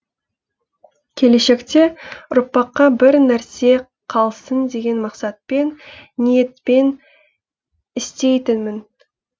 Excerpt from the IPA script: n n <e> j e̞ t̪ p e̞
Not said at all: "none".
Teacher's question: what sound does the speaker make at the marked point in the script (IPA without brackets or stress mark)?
i